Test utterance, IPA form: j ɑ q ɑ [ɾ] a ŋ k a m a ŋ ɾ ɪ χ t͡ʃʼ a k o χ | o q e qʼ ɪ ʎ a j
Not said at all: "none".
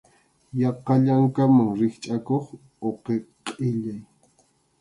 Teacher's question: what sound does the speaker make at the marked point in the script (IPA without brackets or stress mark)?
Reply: ʎ